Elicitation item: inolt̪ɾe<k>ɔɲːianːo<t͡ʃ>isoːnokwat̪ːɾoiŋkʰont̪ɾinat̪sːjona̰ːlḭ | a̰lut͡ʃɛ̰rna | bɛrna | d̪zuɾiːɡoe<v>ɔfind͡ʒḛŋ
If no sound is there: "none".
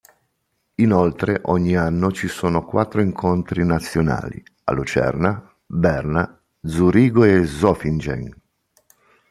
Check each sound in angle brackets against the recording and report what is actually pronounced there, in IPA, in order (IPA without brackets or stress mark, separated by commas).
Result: ʔ, t͡ʃ, z